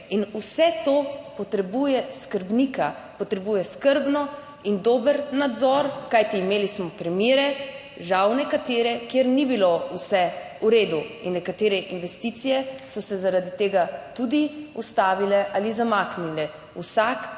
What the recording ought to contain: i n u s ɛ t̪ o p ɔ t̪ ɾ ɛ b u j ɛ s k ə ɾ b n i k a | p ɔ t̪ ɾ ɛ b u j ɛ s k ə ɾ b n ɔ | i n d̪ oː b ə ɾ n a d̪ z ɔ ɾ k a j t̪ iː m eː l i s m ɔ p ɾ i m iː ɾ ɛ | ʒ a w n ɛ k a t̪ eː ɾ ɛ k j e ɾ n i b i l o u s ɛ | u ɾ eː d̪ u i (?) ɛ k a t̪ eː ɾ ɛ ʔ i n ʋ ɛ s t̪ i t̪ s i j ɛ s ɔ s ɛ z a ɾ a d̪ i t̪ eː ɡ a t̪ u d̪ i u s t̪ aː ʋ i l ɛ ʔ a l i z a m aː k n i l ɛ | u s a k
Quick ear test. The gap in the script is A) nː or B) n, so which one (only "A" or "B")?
A